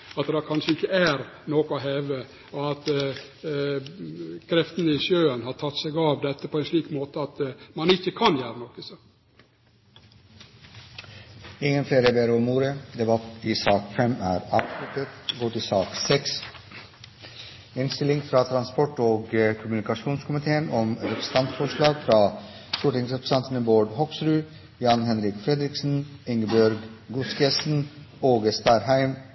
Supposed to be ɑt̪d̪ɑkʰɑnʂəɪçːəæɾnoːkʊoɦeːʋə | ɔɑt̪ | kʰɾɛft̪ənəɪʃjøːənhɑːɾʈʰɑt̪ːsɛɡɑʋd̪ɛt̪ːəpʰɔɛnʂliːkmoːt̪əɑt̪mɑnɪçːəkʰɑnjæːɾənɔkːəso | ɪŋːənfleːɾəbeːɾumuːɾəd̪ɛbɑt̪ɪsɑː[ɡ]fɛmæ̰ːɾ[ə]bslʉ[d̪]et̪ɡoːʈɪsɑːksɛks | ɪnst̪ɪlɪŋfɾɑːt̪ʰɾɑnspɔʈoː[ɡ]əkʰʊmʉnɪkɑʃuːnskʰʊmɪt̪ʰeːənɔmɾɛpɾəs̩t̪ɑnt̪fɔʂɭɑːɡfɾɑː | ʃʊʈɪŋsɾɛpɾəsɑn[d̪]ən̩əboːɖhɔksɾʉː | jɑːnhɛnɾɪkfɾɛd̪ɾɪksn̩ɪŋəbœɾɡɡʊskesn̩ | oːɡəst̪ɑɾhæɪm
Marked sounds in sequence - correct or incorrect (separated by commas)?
incorrect, incorrect, incorrect, correct, incorrect